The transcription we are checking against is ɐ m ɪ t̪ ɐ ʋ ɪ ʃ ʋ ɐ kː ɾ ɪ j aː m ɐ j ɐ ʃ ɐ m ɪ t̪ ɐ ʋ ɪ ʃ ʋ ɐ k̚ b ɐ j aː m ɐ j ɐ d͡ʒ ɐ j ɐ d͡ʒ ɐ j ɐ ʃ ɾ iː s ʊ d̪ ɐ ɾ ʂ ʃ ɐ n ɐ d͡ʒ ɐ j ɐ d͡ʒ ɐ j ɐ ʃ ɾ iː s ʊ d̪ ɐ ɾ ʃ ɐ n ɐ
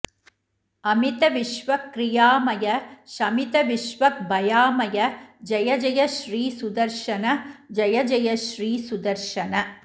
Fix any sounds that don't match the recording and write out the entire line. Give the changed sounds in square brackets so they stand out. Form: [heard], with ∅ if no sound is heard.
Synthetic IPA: ɐ m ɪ t̪ ɐ ʋ ɪ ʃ ʋ ɐ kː ɾ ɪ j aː m ɐ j ɐ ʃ ɐ m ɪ t̪ ɐ ʋ ɪ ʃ ʋ ɐ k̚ b ɐ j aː m ɐ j ɐ d͡ʒ ɐ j ɐ d͡ʒ ɐ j ɐ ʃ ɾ iː s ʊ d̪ ɐ ɾ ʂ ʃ ɐ n ɐ d͡ʒ ɐ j ɐ d͡ʒ ɐ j ɐ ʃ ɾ iː s ʊ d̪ ɐ ɾ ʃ ɐ n ɐ